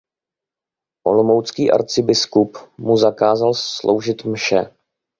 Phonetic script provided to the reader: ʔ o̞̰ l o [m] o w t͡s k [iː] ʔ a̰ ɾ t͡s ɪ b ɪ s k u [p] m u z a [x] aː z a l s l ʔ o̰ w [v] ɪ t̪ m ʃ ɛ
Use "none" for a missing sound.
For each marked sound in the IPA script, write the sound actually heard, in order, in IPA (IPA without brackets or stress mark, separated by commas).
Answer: m, iː, p, k, ʒ